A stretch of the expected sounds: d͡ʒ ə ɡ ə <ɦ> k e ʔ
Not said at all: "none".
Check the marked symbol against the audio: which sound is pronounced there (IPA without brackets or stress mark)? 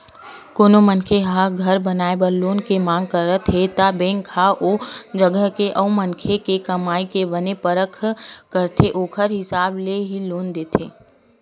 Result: ɦ